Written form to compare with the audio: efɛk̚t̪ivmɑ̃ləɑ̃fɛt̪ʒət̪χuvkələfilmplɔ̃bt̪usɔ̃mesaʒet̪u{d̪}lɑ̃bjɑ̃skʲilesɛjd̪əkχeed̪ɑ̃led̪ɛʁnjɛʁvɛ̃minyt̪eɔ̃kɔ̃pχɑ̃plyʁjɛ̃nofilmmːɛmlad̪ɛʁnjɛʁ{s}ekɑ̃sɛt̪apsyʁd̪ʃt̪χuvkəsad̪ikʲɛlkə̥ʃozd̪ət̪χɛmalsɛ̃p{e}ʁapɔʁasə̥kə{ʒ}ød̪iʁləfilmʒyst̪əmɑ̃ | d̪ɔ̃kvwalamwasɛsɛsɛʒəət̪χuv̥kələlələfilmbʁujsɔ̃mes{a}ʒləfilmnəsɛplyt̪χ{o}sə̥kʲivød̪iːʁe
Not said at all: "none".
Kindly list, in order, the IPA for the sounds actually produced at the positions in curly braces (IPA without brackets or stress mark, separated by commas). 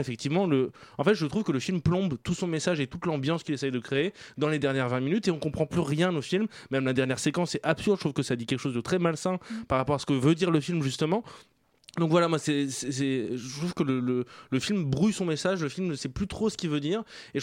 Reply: t̪, s, a, v, a, o